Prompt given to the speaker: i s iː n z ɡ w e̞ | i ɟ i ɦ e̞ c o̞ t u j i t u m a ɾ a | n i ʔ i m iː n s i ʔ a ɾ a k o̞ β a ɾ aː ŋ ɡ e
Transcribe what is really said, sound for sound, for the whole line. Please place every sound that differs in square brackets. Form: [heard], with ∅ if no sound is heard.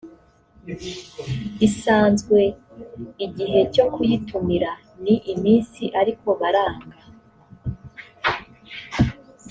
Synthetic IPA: i s [aː] n z ɡ w e̞ | i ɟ i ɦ e̞ c o̞ [k] u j i t u m [i] ɾ a | n i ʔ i m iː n s i ʔ a ɾ [i] k o̞ β a ɾ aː ŋ ɡ [a]